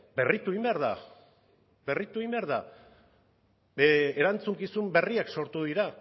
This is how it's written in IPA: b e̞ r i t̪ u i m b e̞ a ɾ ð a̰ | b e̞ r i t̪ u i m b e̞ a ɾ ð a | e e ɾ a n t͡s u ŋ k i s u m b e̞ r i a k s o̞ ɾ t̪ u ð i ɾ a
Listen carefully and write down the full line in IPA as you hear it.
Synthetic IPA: b e̞ r i t̪ u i m b e̞ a ɾ ð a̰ | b e̞ r i t̪ u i m b e̞ a ɾ ð a | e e ɾ a n t͡s u ŋ k i s u m b e̞ r i a k s o̞ ɾ t̪ u ð i ɾ a